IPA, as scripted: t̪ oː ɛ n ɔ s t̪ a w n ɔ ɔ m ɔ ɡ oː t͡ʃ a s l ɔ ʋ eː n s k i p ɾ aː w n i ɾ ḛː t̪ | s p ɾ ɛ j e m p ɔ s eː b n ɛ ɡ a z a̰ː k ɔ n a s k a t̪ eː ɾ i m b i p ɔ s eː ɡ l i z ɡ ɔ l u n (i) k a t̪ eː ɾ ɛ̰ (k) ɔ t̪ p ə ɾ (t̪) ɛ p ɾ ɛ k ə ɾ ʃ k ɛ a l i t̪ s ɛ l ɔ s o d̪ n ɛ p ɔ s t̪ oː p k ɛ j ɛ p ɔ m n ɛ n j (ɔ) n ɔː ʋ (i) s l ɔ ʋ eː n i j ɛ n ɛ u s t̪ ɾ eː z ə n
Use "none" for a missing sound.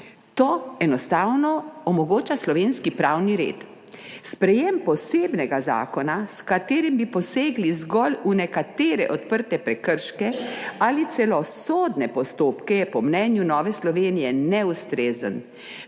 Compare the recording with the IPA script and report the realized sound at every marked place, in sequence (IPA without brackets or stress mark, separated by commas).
ɛ, ʔ, t̪, u, ɛ